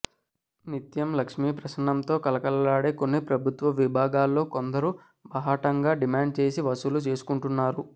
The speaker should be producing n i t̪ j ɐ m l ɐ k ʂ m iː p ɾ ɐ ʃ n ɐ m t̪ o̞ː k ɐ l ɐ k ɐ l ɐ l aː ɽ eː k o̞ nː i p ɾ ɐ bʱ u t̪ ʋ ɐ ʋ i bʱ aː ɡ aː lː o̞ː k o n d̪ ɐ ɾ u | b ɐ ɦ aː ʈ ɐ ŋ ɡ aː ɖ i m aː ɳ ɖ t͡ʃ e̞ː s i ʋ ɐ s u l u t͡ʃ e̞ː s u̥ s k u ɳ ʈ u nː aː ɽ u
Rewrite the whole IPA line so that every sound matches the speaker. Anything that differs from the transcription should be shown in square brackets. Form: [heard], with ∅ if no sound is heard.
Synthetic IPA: n i t̪ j ɐ m l ɐ k ʂ m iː p ɾ ɐ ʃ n ɐ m t̪ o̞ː k ɐ l ɐ k ɐ l ɐ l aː ɽ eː k o̞ nː i p ɾ ɐ bʱ u t̪ ʋ ɐ ʋ i bʱ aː ɡ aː lː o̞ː k o n d̪ ɐ ɾ u | b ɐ ɦ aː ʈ ɐ ŋ ɡ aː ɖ i m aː ɳ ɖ t͡ʃ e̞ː s i ʋ ɐ s u l u t͡ʃ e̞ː s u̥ [∅] k u ɳ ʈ u nː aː [ɾ] u